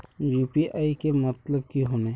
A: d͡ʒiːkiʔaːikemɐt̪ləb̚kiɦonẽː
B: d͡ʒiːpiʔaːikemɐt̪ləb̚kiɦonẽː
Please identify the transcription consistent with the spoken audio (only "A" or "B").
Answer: B